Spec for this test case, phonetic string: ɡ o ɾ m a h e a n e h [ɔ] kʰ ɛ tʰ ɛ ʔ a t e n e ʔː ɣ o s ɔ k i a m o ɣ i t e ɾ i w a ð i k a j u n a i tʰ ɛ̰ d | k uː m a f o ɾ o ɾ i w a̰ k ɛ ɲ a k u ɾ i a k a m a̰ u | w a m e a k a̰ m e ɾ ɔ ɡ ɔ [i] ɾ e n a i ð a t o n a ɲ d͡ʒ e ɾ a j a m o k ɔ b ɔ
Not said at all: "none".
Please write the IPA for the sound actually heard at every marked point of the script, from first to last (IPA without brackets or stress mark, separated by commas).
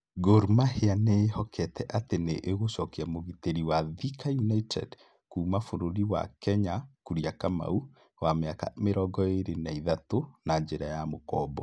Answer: ɔ, e